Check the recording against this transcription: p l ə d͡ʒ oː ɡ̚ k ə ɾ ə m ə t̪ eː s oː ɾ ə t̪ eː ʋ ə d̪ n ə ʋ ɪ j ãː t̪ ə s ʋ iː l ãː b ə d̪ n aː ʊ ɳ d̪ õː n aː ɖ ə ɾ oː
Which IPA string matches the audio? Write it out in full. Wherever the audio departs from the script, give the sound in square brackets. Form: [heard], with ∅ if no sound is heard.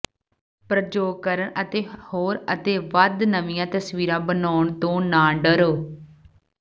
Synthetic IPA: p [ɾ] ə d͡ʒ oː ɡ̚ k ə ɾ ə [ɳ] ə t̪ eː [h] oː ɾ ə t̪ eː ʋ ə d̪ n ə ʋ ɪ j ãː t̪ ə s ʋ iː [ɾ] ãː b ə [∅] n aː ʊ ɳ [t̪] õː n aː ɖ ə ɾ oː